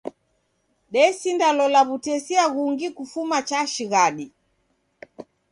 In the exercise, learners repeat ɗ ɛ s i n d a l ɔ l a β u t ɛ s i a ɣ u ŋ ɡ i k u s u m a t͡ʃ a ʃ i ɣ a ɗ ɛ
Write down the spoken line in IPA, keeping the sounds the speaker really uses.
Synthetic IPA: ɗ ɛ s i n d a l ɔ l a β u t ɛ s i a ɣ u ŋ ɡ i k u f u m a t͡ʃ a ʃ i ɣ a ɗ i